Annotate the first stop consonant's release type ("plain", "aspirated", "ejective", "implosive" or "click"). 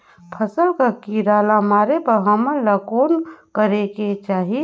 aspirated